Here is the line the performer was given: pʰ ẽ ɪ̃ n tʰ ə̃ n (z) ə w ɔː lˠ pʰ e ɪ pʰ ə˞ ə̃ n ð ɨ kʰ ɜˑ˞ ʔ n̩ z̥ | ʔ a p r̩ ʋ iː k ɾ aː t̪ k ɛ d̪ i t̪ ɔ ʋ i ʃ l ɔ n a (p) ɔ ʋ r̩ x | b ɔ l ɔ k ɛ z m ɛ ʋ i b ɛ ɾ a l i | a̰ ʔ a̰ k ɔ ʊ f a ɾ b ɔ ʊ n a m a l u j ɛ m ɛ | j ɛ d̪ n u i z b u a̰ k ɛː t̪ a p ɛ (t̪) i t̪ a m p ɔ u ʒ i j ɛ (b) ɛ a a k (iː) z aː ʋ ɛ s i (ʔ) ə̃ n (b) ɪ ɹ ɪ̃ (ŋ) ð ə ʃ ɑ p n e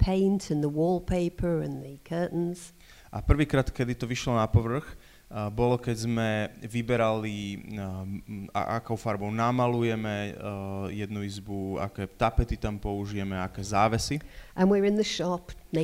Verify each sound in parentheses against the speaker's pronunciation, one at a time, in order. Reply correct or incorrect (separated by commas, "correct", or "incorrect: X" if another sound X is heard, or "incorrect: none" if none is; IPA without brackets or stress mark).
incorrect: ð, correct, correct, incorrect: m, incorrect: ɛː, correct, incorrect: w, incorrect: n